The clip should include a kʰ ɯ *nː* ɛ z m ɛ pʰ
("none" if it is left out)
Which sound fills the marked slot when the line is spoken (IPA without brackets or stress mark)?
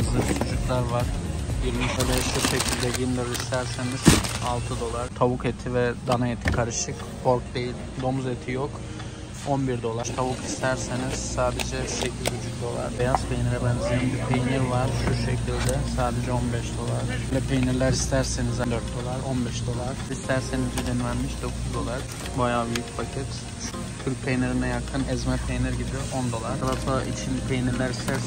n